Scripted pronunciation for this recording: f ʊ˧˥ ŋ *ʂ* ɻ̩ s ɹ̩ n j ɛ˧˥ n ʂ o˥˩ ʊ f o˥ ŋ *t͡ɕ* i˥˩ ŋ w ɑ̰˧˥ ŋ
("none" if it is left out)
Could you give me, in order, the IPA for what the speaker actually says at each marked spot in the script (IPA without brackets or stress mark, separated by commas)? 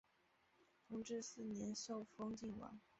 ʈ͡ʂ, t͡ɕ